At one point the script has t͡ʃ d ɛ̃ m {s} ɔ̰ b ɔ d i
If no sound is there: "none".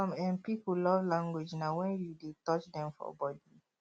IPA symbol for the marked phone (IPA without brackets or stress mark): f